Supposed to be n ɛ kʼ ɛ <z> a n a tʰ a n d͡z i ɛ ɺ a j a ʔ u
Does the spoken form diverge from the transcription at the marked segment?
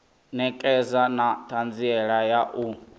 no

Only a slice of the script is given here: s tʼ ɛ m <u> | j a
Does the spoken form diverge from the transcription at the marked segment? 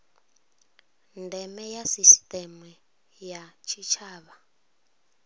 no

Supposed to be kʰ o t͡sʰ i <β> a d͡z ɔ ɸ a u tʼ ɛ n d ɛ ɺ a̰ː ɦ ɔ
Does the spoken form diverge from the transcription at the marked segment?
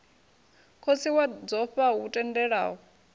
yes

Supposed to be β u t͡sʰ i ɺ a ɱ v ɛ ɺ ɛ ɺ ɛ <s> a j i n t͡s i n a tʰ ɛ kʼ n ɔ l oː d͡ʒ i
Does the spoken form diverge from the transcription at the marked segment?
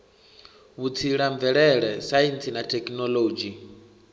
no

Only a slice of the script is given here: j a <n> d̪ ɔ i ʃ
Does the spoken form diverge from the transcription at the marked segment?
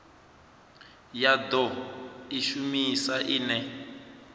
yes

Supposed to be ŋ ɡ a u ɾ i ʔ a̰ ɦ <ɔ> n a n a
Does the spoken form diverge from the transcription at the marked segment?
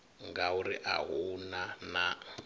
yes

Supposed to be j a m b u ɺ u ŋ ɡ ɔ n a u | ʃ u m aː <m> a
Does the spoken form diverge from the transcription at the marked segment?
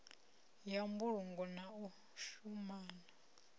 yes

